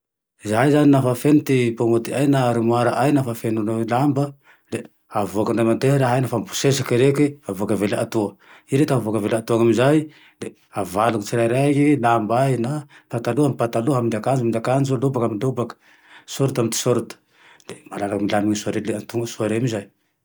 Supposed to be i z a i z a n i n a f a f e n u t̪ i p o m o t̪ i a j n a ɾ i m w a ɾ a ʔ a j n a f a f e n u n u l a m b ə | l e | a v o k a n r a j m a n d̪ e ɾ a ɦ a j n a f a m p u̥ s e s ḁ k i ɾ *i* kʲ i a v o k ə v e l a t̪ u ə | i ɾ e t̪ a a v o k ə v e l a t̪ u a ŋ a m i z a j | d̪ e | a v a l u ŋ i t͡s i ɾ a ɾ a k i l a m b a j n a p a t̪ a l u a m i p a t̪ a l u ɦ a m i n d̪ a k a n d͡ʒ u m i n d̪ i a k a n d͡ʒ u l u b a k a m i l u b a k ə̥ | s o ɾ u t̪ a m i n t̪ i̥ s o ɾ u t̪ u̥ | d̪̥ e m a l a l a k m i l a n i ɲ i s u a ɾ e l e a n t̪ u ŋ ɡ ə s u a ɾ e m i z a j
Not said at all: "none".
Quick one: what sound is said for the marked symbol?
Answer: e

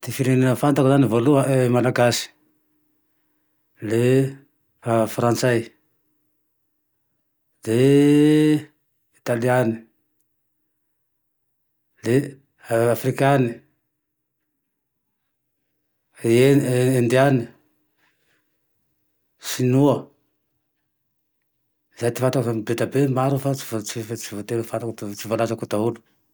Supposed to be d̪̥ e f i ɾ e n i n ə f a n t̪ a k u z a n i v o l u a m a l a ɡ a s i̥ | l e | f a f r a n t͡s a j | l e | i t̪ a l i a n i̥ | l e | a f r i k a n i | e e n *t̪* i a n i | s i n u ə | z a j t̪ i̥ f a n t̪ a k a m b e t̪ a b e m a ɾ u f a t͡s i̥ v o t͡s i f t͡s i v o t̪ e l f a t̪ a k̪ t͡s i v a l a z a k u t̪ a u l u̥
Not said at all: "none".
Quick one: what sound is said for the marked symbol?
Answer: d̪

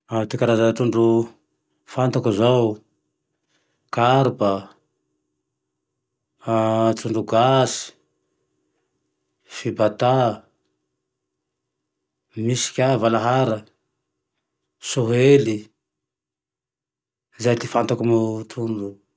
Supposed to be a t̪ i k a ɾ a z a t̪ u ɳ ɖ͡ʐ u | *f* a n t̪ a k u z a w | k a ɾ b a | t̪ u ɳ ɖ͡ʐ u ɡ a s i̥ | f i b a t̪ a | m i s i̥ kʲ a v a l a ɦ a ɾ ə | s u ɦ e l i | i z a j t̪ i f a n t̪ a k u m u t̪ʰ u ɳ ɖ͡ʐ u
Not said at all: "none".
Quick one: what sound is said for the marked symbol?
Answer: f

